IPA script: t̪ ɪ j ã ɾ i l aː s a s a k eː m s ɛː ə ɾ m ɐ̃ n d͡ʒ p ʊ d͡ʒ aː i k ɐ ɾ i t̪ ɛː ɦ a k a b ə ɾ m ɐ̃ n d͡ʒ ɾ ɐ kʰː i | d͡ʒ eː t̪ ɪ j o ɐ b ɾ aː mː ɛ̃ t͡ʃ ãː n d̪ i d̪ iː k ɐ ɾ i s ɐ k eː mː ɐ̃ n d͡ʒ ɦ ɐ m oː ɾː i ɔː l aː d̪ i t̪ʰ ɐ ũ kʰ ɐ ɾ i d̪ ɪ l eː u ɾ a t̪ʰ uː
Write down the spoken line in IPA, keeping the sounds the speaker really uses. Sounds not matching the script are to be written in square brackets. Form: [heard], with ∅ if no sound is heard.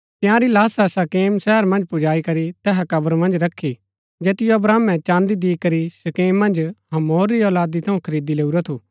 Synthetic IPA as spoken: t̪ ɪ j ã ɾ i l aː s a s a k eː m s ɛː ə ɾ m ɐ̃ n d͡ʒ p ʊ d͡ʒ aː i k ɐ ɾ i t̪ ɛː ɦ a k [ɐ] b ə ɾ m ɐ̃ n d͡ʒ ɾ ɐ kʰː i | d͡ʒ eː t̪ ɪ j o ɐ b ɾ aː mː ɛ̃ t͡ʃ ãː n d̪ i d̪ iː k ɐ ɾ i s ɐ k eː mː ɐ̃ n d͡ʒ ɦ ɐ m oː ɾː i ɔː l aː d̪ i t̪ʰ ɐ ũ kʰ ɐ ɾ [iː] d̪ [i] l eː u ɾ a t̪ʰ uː